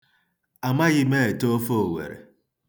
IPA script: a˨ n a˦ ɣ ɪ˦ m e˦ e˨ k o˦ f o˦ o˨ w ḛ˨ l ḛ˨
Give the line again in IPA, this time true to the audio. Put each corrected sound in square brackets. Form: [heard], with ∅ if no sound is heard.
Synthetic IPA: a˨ [m] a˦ ɣ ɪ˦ m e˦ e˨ [t] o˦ f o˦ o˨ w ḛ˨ [ɾ] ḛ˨